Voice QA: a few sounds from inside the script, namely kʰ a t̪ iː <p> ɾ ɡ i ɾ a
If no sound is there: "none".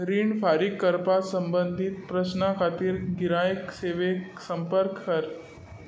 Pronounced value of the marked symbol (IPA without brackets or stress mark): none